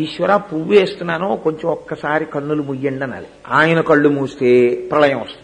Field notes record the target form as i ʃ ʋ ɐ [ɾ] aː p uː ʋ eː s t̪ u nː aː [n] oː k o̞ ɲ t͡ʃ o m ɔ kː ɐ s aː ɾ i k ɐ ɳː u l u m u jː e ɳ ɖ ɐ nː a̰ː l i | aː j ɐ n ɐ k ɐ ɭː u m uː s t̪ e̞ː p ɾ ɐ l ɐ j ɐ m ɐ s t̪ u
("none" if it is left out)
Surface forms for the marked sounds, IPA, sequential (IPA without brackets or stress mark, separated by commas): ɾ, n